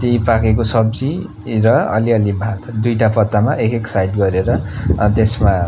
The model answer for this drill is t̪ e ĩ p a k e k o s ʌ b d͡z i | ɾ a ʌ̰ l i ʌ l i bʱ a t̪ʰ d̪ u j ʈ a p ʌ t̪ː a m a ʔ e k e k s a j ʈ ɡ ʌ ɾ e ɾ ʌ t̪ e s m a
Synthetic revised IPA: t̪ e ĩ p a k e k o s ʌ b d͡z i | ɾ ʌ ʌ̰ l i ʌ l i bʱ a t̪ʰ d̪ u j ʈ a p ʌ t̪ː a m a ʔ e k e k s a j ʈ ɡ ʌ ɾ e ɾ ʌ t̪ e s m a

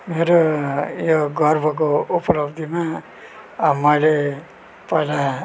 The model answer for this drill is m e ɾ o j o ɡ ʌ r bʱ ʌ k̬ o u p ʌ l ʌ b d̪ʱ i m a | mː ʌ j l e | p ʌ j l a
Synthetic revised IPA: m e ɾ o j o ɡ ʌ r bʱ ʌ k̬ o u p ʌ l ʌ b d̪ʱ i m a | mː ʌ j l e | p ʌ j l a

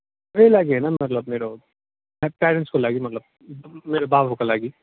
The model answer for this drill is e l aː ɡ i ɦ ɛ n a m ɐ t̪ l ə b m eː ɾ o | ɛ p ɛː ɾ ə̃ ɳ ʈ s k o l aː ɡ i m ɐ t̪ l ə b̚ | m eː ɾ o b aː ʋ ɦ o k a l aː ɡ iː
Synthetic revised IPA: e l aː ɡ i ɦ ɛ n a m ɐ t̪ l ə b m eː ɾ o | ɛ p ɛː ɾ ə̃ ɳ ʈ s k o l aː ɡ i m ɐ t̪ l ə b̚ | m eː ɾ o b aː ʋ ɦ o k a l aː ɡ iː

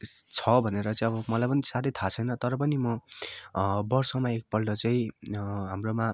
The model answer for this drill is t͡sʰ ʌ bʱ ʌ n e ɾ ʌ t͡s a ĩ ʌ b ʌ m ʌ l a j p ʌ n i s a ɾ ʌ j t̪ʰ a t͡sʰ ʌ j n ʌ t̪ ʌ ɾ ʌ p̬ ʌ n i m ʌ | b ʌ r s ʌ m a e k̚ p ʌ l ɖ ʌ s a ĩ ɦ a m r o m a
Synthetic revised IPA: t͡sʰ ʌ bʱ ʌ n e ɾ ʌ t͡s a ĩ ʌ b ʌ m ʌ l a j p ʌ n i s a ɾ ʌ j t̪ʰ a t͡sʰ ʌ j n ʌ t̪ ʌ ɾ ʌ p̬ ʌ n i m ʌ | b ʌ r s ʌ m a e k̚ p ʌ l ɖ ʌ t͡s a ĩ ɦ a m r o m a

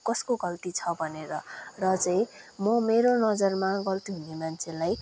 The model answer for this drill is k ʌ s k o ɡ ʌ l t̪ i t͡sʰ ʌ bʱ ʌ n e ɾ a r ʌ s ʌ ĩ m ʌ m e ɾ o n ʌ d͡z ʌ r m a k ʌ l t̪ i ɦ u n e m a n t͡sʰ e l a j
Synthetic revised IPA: k ʌ s k o ɡ ʌ l t̪ i t͡sʰ ʌ bʱ ʌ n e ɾ ʌ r ʌ t͡s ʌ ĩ m ʌ m e ɾ o n ʌ d͡z ʌ r m a ɡ ʌ l t̪ i ɦ u n e m a n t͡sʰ e l a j

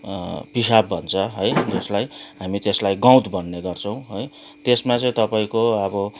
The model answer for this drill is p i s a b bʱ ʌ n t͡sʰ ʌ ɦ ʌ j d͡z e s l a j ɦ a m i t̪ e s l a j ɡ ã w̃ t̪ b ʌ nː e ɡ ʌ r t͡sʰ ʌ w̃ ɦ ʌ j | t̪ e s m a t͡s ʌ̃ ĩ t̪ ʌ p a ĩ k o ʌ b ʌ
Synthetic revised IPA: p i s a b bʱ ʌ n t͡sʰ ʌ ɦ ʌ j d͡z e s l a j ɦ a m i t̪ e s l a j ɡ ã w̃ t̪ b ʌ nː e ɡ ʌ r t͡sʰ ʌ w̃ ɦ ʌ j | t̪ e s m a t͡s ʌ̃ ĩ t̪ ʌ p a ĩ k o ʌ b ʌ

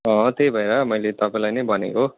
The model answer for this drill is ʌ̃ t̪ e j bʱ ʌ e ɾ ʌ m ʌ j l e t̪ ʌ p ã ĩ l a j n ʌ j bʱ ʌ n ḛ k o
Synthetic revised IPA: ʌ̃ t̪ e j bʱ ʌ e ɾ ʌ m ʌ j l e t̪ ʌ p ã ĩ l a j n ʌ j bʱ ʌ n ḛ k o

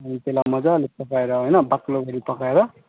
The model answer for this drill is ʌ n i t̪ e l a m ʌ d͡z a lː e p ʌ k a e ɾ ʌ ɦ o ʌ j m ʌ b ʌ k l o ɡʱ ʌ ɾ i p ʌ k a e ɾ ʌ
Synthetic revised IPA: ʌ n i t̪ e l a m ʌ d͡z a l e p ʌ k a e ɾ ʌ ɦ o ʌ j n ʌ b a k l o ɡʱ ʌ ɾ i p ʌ k a e ɾ ʌ

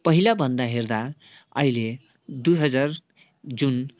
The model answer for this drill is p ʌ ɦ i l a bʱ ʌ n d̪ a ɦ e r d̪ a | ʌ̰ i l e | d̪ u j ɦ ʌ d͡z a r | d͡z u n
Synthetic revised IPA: p ʌ ɦ i l a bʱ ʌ n d̪ a ɦ e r d̪ a | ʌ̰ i l e | d̪ u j ɦ ʌ d͡z a r | d͡z u n

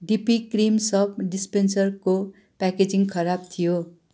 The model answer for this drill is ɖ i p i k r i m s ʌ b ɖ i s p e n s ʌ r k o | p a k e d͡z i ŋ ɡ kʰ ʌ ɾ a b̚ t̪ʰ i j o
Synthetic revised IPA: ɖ i p i k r i m s ʌ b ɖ i s p e n s ʌ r k o | p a k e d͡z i ŋ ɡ kʰ ʌ ɾ a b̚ t̪ʰ i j o

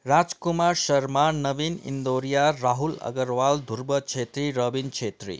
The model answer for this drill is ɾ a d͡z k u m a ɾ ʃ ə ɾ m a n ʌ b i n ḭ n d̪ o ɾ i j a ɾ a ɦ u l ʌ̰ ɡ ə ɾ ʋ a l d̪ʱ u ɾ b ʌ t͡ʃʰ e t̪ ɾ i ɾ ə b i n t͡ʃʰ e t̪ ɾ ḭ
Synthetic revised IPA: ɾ a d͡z k u m a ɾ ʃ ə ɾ m a n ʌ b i n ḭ n d̪ o ɾ i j a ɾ a ɦ u l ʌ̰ ɡ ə ɾ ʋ a l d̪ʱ u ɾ b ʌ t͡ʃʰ e t̪ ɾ i ɾ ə b i n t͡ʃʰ e t̪ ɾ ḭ

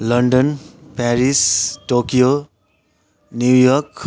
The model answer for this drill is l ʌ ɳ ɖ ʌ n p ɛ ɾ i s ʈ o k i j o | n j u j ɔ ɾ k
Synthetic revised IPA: l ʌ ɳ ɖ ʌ n p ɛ ɾ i s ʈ o k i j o | n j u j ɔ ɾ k

